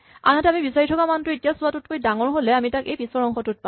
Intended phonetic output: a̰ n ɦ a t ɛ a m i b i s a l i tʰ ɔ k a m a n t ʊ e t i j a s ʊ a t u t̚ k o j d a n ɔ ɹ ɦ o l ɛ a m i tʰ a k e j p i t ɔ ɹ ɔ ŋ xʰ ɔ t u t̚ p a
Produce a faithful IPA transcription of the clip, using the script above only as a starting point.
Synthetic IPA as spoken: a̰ n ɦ a t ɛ a m i b i s a ɹ i tʰ ɔ k a m a n t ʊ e t i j a s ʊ a t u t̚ k o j d a ŋ ɔ ɹ ɦ o l ɛ a m i t a k e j p i s ɔ ɹ ɔ ŋ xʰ ɔ t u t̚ p a